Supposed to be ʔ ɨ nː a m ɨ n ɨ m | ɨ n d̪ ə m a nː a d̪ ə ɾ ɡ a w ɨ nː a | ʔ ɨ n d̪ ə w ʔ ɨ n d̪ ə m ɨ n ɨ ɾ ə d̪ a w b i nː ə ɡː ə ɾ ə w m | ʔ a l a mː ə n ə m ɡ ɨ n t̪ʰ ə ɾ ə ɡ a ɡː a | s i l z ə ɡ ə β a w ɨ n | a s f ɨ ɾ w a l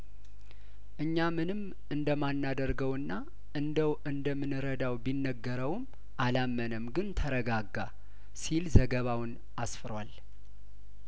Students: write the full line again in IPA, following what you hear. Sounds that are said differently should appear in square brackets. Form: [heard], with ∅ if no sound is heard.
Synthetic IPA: ʔ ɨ [ɲː] a m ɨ n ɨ m | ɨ n d̪ ə m a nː a d̪ ə ɾ ɡ [ə] w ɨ nː a | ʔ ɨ n d̪ ə w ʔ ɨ n d̪ ə m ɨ n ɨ ɾ ə d̪ a w b i nː ə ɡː ə ɾ ə w m | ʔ a l a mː ə n ə m ɡ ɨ n t̪ʰ ə ɾ ə ɡ a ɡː a | s i l z ə ɡ ə β a w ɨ n | a s f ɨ ɾ w a l